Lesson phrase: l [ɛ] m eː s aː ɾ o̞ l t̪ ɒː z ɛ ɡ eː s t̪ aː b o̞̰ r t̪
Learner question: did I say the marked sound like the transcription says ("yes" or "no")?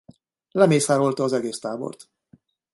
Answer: yes